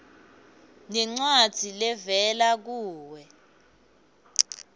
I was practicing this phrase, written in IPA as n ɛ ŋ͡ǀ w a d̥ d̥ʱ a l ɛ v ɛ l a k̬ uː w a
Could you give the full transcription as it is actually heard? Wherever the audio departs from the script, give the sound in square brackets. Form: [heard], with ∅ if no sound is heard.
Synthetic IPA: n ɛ ŋ͡ǀ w a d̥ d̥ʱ [i] l ɛ v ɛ l a k̬ uː w [ɛ]

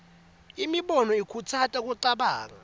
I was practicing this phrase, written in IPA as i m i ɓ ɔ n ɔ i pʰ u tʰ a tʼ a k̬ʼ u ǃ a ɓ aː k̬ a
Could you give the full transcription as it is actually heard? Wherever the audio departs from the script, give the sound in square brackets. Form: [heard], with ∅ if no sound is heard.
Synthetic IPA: i m i ɓ ɔ n ɔ i [kʰ] u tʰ a tʼ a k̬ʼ u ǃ a ɓ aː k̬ a

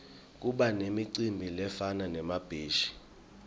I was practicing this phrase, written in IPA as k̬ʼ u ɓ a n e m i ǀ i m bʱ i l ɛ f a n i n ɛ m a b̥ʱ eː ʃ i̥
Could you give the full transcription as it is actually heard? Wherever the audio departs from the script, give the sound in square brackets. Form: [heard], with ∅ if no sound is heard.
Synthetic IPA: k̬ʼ u ɓ a n e m i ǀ i m bʱ i l ɛ f a n [a] n ɛ m a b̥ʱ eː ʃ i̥

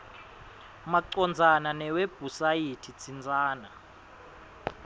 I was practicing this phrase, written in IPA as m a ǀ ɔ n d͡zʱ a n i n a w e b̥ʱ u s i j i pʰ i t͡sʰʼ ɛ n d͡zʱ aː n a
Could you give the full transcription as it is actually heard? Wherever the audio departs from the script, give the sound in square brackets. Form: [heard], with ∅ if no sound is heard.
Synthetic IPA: m a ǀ ɔ n d͡zʱ a n [a] n [ɛ] w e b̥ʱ u s [a] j i [tʰ] i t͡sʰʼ [i] n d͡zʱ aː n a

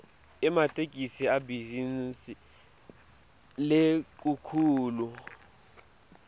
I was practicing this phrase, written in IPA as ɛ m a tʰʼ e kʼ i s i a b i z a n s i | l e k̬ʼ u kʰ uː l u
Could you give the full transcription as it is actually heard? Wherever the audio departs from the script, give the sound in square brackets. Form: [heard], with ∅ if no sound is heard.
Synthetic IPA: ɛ m a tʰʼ e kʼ i s i a b i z [i] n s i | l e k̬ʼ u kʰ uː l u

